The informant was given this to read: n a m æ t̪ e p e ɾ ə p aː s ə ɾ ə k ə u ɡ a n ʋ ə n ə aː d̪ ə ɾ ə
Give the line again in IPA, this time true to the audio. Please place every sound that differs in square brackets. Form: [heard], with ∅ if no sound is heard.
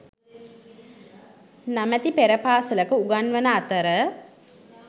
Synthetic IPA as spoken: n a m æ t̪ [i] p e ɾ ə p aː s ə [l] ə k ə u ɡ a n ʋ ə n ə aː [t̪] ə ɾ ə